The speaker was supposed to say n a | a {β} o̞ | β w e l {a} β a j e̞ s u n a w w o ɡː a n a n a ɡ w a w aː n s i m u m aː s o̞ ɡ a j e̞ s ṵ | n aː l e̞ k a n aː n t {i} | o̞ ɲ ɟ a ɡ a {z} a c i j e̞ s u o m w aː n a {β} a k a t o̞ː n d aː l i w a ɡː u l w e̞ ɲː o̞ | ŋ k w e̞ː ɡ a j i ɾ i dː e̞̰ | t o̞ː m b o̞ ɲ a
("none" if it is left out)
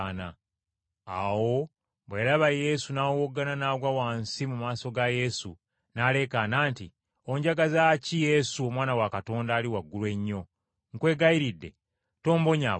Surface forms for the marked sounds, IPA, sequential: w, a, i, z, w

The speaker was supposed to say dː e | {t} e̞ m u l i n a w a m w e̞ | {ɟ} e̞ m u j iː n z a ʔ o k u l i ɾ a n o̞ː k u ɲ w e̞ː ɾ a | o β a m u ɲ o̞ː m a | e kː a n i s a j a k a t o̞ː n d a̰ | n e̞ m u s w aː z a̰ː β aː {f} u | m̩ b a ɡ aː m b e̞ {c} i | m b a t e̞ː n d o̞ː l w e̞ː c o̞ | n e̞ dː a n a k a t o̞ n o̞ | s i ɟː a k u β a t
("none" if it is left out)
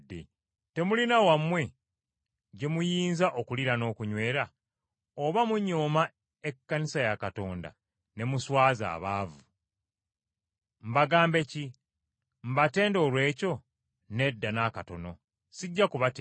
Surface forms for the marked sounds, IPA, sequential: t, ɟ, v, c

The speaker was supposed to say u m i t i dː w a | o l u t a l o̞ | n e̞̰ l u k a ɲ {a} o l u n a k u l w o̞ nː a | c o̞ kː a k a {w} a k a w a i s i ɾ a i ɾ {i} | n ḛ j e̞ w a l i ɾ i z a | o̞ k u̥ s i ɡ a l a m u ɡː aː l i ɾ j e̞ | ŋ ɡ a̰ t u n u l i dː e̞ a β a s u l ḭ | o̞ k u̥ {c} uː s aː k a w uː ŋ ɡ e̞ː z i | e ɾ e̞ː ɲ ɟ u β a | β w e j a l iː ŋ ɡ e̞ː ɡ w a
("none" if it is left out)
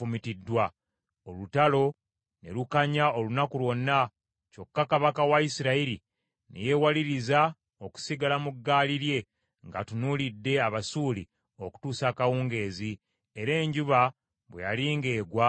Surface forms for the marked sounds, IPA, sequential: a, β, i, t

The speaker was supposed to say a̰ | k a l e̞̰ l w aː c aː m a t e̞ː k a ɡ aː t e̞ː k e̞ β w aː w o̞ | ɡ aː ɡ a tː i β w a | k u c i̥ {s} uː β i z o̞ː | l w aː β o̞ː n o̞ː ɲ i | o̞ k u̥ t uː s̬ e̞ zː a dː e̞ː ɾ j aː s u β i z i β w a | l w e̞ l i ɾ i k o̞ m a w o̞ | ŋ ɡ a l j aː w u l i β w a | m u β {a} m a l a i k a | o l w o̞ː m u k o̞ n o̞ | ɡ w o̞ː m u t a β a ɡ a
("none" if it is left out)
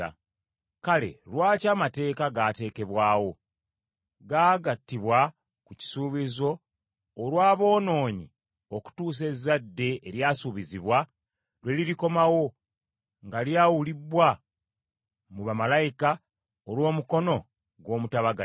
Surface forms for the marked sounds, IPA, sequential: s, a

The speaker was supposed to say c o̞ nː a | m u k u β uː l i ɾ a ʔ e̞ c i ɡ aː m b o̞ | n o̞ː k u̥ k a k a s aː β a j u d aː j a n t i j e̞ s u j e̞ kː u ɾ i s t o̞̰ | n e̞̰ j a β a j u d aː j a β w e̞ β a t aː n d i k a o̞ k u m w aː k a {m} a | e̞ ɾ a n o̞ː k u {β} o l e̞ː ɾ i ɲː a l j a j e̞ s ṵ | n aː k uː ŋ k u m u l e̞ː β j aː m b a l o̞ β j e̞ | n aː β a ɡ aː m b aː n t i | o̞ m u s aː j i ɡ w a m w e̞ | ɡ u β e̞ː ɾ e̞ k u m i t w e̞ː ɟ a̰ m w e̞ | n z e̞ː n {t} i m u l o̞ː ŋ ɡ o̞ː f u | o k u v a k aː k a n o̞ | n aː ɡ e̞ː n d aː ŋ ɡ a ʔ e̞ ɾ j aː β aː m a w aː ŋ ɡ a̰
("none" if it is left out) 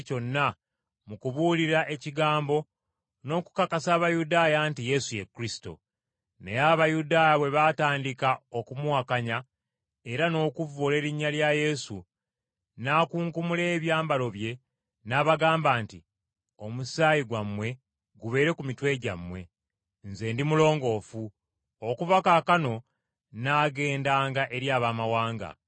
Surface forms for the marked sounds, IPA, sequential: ɲ, v, d

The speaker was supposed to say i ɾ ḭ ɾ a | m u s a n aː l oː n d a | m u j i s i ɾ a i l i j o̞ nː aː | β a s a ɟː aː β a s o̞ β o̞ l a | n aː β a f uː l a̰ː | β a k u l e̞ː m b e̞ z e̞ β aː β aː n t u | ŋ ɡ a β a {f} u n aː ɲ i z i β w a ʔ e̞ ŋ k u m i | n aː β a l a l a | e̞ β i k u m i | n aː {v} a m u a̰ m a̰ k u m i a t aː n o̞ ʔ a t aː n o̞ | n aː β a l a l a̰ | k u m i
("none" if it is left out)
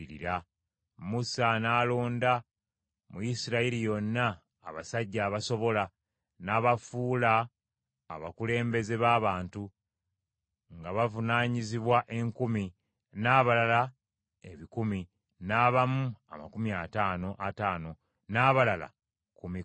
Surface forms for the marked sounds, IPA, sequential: v, β

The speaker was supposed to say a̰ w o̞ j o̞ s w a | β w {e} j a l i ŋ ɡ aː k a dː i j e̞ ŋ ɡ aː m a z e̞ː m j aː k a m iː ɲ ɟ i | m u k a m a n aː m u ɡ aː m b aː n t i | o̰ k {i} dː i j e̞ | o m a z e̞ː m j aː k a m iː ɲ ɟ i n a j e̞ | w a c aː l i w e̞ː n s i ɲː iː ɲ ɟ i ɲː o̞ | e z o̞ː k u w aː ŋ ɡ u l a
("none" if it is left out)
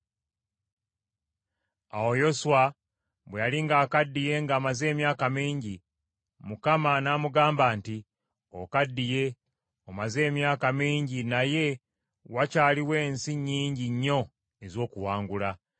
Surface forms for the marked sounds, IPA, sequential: e, a

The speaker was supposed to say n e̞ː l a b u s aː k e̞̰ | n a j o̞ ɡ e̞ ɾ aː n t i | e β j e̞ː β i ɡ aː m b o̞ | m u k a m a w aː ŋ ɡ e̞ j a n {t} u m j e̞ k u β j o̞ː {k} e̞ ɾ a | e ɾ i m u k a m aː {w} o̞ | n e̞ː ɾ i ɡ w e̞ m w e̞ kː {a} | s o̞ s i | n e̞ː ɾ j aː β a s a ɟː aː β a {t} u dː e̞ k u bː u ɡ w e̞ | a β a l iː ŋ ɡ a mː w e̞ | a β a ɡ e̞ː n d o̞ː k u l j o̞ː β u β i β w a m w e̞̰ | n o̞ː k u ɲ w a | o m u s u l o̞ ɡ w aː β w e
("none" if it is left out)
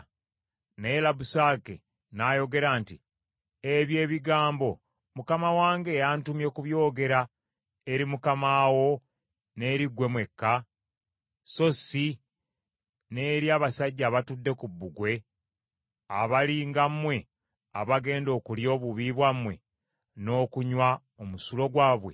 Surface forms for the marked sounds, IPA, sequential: t, ɡ, w, a, t

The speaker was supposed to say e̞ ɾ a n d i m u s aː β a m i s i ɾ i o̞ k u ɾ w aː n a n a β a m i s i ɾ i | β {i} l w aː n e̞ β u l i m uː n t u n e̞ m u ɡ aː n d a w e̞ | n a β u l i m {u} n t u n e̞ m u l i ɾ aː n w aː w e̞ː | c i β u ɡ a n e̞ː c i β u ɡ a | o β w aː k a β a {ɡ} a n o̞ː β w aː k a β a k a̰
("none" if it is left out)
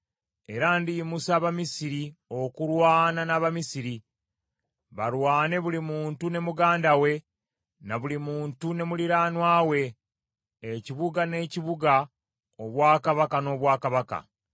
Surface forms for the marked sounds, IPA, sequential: a, uː, k

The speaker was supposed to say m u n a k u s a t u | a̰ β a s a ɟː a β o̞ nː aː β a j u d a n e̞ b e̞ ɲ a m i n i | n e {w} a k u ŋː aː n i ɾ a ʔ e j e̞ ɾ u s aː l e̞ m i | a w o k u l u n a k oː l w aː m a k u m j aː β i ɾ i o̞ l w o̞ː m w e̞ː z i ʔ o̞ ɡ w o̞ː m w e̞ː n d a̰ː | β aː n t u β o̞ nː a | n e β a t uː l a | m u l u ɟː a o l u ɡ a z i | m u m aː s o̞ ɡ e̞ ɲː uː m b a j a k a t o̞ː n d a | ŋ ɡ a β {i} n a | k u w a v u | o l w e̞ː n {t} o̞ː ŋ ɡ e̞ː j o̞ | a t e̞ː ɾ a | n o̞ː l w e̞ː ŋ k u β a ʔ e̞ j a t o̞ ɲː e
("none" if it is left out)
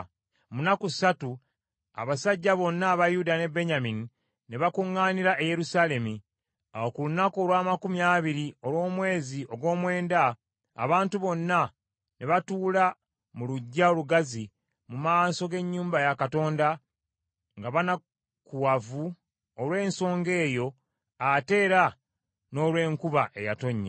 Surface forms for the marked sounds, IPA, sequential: β, a, s

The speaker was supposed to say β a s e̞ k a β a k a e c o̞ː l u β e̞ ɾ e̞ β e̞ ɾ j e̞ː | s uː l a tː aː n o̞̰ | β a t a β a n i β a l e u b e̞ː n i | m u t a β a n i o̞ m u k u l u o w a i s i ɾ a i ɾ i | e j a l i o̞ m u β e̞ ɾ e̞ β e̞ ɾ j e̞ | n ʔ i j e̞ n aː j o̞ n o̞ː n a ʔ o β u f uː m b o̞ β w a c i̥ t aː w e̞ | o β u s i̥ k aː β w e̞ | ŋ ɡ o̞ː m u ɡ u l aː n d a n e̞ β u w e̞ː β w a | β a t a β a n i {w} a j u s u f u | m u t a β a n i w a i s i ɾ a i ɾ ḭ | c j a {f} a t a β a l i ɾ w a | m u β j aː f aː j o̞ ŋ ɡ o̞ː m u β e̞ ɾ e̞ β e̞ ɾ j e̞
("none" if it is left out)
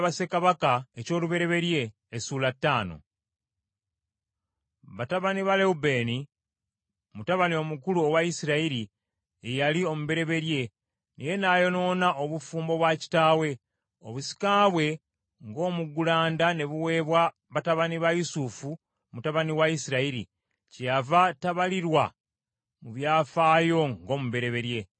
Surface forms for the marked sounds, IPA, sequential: β, v

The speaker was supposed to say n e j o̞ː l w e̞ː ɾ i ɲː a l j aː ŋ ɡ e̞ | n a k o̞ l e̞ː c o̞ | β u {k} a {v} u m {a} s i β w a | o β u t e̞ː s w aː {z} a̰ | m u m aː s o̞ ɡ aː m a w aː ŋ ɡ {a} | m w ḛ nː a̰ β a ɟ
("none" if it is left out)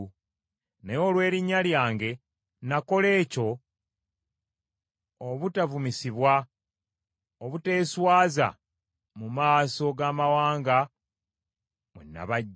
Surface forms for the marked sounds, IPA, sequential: t, v, i, z, a

